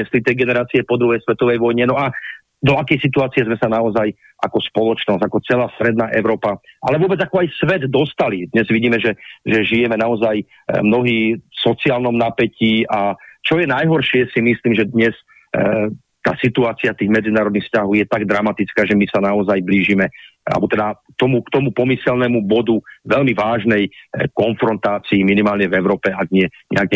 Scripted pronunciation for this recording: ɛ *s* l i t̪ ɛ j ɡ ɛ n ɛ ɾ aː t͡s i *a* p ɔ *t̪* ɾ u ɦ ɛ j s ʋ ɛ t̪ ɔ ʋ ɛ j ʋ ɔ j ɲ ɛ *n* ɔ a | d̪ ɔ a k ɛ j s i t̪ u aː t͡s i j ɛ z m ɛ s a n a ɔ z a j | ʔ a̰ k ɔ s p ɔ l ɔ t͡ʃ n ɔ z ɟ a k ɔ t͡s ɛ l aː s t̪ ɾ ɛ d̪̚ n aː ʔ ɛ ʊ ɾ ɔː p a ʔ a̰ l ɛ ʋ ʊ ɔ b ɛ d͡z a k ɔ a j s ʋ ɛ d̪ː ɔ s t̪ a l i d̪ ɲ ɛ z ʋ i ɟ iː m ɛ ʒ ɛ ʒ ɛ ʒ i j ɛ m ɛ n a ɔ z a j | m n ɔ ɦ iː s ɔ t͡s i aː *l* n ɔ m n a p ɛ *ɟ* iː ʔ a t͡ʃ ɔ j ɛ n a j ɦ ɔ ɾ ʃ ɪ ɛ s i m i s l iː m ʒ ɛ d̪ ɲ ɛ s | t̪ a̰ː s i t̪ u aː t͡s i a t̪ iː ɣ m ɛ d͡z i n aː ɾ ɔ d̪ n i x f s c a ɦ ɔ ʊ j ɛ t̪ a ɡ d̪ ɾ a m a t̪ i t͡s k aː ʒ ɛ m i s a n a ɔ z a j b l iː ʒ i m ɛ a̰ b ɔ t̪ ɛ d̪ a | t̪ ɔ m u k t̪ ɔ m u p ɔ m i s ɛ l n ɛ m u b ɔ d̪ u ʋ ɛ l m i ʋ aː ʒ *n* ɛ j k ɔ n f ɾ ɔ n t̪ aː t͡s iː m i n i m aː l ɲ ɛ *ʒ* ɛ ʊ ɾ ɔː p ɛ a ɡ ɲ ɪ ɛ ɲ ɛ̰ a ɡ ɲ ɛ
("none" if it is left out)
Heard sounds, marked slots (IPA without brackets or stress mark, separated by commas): s, ɛ, d̪, n, l, c, n, v